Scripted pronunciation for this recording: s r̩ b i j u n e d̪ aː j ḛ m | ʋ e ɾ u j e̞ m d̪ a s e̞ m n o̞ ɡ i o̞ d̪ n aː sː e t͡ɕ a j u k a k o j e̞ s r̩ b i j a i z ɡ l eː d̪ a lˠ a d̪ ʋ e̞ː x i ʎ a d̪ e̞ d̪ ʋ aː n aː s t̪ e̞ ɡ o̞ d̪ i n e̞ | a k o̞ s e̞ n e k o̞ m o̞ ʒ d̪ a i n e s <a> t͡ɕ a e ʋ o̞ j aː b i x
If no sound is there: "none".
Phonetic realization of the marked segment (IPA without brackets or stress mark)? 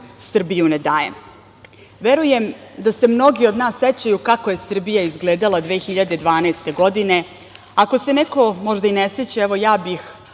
e